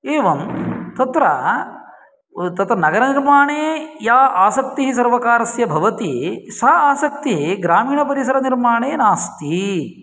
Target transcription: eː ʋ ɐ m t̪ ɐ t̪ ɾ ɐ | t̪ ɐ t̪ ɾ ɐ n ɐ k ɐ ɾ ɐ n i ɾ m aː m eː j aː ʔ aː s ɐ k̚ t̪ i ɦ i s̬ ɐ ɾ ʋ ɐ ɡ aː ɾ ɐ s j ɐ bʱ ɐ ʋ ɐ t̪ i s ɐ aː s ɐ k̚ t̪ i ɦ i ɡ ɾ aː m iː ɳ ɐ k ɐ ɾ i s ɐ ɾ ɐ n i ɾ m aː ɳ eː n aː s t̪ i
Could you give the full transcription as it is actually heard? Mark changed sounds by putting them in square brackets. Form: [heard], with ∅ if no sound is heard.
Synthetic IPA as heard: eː ʋ ɐ m t̪ ɐ t̪ ɾ ɐ | t̪ ɐ t̪ ɾ ɐ n ɐ [ɡ] ɐ ɾ ɐ n i ɾ m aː [ɳ] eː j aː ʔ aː s ɐ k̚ t̪ i ɦ i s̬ ɐ ɾ ʋ ɐ [k] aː ɾ ɐ s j ɐ bʱ ɐ ʋ ɐ t̪ i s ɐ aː s ɐ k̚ t̪ i ɦ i ɡ ɾ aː m iː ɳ ɐ [p] ɐ ɾ i s ɐ ɾ ɐ n i ɾ m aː ɳ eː n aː s t̪ i